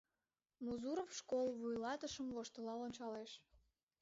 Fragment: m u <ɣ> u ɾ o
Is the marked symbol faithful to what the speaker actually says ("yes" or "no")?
no